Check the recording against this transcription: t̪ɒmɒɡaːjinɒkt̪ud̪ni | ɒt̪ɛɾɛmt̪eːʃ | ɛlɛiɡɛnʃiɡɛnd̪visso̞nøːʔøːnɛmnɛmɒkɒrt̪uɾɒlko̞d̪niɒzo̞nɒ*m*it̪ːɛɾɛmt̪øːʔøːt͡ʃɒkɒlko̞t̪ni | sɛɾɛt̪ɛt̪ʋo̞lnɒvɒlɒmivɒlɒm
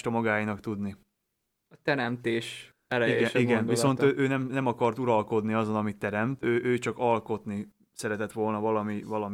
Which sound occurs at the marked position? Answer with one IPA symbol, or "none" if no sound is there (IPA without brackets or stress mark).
m